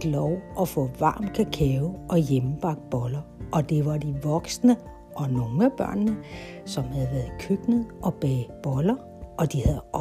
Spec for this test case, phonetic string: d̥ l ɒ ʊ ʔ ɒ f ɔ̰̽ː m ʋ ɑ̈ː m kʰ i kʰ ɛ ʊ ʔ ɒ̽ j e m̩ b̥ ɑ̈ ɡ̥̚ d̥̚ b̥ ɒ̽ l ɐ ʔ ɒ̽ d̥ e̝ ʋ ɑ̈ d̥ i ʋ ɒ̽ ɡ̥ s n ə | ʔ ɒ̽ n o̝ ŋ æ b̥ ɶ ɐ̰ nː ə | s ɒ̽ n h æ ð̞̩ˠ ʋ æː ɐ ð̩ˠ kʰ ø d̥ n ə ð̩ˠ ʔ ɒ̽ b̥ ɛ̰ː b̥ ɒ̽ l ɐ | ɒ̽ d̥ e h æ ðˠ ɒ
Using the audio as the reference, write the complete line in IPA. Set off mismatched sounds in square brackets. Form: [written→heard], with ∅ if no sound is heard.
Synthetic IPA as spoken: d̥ l ɒ ʊ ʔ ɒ f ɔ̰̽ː [m→∅] ʋ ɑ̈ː m kʰ [i→æ] kʰ ɛ ʊ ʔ ɒ̽ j e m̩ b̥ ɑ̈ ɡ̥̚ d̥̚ b̥ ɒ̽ l ɐ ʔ ɒ̽ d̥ e̝ ʋ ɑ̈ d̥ i ʋ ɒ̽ ɡ̥ s n ə | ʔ ɒ̽ n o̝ ŋ æ b̥ ɶ ɐ̰ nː ə | s ɒ̽ [n→m] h æ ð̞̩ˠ ʋ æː ɐ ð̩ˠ kʰ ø [d̥→ɡ̥] n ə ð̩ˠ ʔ ɒ̽ b̥ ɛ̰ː b̥ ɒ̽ l ɐ | ɒ̽ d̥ [e→i] h æ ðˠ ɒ